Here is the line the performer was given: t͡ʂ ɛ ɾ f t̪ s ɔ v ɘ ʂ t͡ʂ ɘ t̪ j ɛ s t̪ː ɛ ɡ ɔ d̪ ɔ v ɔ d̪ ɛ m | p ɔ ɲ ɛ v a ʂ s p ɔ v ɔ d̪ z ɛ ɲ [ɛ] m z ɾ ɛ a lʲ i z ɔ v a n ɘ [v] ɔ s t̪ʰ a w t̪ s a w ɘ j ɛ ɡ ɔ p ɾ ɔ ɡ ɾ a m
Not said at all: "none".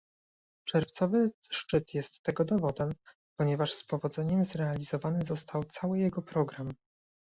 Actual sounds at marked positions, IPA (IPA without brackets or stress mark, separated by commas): ɛ, z